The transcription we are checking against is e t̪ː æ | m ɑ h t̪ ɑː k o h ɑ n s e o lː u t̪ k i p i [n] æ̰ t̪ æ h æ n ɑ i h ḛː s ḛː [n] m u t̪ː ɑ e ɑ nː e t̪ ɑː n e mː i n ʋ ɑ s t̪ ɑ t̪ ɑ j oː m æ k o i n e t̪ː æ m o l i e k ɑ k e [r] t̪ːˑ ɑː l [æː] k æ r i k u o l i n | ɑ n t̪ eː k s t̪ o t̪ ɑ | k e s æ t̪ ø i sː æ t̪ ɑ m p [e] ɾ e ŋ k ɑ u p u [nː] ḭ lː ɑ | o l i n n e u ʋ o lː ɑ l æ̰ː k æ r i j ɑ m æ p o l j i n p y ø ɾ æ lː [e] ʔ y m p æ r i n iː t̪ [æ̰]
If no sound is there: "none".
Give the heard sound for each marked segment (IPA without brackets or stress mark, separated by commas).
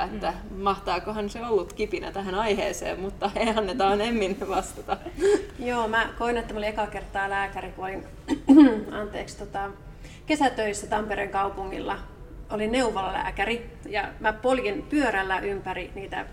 n, m, r, æː, e, ŋː, æ, æ̰